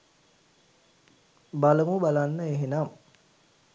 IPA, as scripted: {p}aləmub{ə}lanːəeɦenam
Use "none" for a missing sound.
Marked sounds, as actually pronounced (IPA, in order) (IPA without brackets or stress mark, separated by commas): b, a